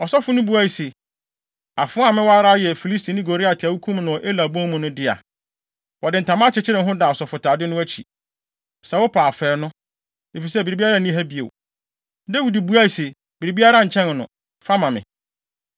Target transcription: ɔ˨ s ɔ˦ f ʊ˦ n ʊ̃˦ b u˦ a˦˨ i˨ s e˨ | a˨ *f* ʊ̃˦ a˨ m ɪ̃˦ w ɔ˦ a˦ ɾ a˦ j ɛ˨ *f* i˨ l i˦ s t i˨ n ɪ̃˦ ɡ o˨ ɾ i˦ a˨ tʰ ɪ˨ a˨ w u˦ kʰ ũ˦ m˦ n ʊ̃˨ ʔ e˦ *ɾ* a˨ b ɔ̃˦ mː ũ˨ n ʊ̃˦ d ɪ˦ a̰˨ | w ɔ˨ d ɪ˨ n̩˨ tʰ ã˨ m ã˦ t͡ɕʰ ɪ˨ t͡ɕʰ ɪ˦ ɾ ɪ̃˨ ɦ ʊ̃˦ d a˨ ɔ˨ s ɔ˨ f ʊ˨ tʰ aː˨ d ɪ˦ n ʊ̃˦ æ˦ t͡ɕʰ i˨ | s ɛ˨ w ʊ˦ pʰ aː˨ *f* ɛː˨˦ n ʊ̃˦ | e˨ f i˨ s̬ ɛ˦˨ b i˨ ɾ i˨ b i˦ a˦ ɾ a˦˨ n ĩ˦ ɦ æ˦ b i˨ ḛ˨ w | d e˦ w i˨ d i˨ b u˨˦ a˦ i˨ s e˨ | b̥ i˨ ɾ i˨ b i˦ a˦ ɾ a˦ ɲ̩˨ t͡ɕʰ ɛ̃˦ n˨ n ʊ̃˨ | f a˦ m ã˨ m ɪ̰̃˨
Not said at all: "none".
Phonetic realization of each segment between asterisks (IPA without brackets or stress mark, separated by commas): f, f, l, f